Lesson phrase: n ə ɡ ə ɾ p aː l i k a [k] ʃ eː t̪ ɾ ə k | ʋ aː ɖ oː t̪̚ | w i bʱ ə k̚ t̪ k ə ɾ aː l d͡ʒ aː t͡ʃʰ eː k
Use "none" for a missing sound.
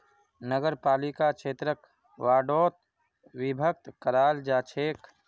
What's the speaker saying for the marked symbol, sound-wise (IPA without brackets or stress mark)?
k